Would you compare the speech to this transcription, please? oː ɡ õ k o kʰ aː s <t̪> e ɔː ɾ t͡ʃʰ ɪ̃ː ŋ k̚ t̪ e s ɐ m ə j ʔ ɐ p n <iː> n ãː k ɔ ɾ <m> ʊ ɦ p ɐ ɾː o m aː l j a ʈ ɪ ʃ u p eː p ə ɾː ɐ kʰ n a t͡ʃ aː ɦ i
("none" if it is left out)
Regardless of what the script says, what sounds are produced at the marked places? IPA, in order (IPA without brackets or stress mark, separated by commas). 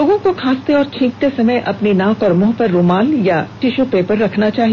t̪, i, m